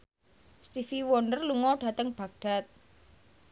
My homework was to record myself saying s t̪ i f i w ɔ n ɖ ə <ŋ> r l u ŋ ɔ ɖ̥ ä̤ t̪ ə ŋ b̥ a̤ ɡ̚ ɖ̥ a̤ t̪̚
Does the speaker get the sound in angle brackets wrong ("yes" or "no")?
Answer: yes